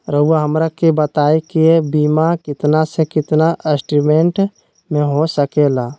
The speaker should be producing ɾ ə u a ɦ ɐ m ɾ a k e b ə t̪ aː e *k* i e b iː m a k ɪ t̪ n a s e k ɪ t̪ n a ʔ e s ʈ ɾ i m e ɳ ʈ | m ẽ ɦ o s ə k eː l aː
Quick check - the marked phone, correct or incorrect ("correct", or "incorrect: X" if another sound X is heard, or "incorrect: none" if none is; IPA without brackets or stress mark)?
correct